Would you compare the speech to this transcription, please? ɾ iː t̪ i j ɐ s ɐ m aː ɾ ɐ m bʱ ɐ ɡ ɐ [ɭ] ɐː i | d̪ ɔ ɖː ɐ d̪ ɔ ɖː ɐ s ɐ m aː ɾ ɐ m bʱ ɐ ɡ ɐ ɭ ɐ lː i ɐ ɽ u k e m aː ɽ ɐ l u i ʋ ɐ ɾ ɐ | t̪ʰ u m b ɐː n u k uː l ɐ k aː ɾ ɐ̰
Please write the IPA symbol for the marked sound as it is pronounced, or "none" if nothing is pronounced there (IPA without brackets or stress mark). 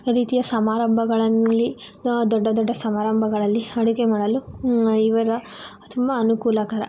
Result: ɭ